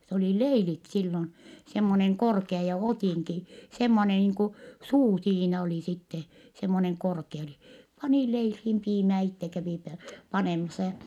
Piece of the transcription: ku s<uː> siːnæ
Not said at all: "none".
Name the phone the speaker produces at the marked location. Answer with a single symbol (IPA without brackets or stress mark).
uː